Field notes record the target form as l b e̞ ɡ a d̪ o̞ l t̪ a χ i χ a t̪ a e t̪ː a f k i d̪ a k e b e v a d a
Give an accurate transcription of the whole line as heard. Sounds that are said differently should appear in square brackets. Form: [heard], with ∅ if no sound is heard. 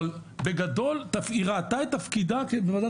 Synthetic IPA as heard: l b e̞ ɡ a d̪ o̞ l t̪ a [f] i [ʁ] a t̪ a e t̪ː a f k i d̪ a k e b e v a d a